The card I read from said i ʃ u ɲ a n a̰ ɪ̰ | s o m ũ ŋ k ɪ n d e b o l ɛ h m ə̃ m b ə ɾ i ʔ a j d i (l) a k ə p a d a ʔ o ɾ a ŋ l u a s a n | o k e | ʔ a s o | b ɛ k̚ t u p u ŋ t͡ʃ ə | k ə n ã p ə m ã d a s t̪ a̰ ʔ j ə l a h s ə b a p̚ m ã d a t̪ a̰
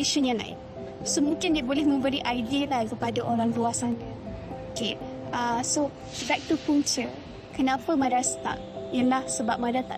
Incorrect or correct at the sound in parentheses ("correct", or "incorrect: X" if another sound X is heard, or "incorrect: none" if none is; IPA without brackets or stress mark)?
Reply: correct